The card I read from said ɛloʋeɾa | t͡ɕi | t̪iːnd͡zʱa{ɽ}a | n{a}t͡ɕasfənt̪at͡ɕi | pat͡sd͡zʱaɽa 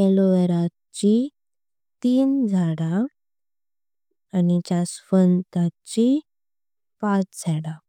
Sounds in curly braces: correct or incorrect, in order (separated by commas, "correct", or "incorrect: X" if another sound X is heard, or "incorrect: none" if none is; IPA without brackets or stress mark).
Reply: correct, incorrect: i